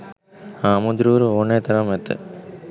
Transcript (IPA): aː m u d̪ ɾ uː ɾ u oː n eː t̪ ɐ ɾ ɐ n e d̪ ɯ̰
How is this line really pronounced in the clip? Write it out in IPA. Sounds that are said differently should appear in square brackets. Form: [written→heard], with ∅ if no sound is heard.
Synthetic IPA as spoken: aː m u d̪ ɾ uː ɾ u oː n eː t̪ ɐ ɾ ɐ [n→m] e [d̪→t̪] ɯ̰